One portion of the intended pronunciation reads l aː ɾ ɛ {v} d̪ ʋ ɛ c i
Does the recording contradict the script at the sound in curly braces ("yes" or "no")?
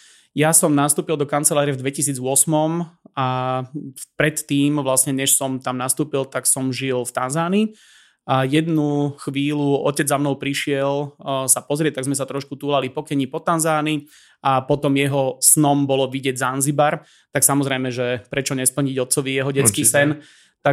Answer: no